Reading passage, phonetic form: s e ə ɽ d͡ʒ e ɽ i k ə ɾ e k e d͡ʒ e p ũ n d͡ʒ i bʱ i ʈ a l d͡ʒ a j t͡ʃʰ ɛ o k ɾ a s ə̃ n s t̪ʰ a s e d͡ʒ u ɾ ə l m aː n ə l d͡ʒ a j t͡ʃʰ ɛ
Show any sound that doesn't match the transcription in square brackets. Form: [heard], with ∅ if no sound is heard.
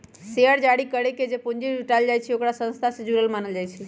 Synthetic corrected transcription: s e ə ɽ d͡ʒ [a] ɽ i k ə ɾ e k e d͡ʒ e p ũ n d͡ʒ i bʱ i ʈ a l d͡ʒ a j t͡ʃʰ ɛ o k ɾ a s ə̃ n s t̪ʰ a s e d͡ʒ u ɾ ə l m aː n ə l d͡ʒ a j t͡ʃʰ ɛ

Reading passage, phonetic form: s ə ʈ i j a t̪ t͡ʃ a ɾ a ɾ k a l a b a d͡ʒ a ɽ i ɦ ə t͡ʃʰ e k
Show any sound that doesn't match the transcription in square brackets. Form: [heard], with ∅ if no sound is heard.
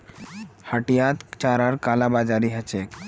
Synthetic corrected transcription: [h] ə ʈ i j a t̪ t͡ʃ a ɾ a ɾ k a l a b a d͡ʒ a [ɾ] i ɦ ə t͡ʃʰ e k

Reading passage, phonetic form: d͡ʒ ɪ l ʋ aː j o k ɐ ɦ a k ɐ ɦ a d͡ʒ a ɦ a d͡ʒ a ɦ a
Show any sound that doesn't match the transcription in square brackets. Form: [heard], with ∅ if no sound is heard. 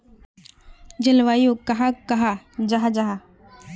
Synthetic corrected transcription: d͡ʒ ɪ l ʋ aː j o k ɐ ɦ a k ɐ ɦ a d͡ʒ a ɦ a d͡ʒ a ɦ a

